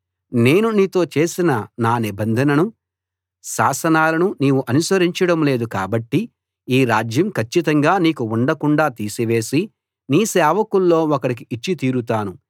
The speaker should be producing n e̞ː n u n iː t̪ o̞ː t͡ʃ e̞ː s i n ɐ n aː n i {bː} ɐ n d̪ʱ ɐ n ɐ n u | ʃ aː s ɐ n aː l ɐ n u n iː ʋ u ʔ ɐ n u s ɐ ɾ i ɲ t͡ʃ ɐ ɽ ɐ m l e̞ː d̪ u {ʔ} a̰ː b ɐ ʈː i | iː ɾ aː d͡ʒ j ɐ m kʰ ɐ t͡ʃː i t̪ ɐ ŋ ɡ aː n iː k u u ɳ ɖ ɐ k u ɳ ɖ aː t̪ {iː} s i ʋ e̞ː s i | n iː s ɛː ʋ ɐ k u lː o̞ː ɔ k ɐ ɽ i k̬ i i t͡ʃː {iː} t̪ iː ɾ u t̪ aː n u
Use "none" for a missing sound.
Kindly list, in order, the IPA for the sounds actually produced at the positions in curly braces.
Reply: b, k, iː, i

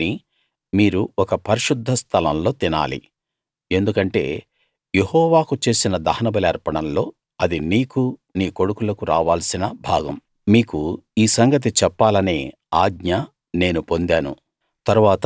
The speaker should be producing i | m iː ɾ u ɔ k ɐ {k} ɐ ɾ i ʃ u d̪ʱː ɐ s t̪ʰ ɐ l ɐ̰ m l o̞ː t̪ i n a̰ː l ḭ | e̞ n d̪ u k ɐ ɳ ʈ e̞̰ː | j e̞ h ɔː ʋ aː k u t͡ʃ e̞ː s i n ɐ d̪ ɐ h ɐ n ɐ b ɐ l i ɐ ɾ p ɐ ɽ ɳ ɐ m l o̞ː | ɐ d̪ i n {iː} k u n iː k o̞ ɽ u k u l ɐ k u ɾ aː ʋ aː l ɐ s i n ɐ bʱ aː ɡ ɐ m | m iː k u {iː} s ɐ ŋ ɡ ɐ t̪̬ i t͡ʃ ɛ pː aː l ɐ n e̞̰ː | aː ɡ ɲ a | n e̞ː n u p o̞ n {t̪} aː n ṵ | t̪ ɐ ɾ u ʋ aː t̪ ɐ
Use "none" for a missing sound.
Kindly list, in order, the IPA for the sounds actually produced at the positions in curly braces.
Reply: p, iː, iː, d̪

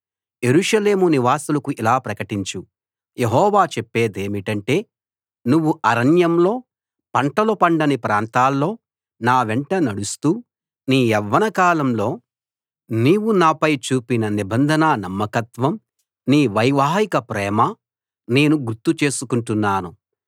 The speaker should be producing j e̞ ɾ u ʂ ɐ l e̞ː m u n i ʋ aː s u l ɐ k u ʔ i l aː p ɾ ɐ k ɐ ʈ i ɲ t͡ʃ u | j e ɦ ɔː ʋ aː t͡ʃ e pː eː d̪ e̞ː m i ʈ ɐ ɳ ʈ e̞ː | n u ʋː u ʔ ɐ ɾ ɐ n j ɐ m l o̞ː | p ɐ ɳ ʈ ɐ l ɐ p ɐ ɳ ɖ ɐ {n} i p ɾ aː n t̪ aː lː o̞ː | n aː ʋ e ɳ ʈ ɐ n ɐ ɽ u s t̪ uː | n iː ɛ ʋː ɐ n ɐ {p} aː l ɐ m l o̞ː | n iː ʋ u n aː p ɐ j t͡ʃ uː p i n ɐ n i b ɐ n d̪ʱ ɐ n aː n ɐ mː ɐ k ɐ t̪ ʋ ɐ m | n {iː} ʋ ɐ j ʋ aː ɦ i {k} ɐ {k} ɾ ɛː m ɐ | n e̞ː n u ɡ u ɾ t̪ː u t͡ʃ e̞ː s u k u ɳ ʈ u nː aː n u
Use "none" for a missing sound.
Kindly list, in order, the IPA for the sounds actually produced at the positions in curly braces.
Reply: n, k, iː, k, p

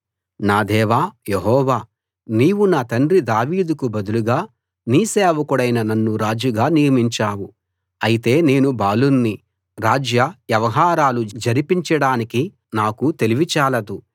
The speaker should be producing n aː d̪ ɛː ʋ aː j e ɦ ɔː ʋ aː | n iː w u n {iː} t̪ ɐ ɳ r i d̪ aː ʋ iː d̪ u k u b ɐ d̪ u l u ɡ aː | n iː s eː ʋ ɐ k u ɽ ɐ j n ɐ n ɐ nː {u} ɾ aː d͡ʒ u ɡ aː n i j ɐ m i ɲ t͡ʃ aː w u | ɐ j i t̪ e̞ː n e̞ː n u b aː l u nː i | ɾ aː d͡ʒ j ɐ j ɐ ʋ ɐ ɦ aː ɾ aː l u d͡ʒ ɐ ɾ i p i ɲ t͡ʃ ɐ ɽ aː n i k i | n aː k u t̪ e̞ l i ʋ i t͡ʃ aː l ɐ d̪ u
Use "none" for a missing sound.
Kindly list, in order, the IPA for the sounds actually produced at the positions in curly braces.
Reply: aː, u

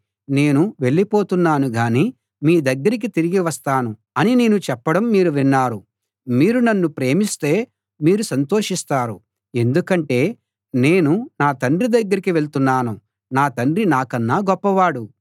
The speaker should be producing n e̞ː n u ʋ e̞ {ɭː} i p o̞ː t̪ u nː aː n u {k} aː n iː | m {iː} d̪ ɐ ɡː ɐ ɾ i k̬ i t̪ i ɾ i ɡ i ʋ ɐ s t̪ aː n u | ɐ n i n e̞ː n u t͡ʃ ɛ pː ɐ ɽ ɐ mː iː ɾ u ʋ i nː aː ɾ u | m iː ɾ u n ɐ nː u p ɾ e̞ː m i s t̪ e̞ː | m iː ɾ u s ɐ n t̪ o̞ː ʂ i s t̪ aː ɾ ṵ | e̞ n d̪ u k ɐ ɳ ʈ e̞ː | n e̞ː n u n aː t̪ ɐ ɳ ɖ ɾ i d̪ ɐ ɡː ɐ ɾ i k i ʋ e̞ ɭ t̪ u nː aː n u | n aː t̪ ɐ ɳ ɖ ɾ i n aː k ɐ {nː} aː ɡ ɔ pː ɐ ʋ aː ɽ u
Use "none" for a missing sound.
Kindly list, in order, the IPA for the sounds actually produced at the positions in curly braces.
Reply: ɭː, ɡ, iː, nː

